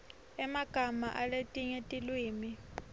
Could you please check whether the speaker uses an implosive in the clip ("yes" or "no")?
no